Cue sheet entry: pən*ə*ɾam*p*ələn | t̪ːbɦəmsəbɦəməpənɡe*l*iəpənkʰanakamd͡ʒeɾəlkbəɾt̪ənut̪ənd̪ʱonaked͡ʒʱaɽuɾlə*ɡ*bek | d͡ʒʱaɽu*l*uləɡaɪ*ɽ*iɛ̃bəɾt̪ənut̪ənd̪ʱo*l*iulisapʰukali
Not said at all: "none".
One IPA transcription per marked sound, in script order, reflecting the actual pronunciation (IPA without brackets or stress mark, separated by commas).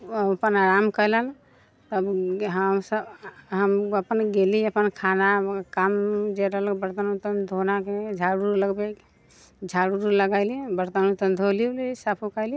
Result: a, k, l, ɡ, ɾ, l, l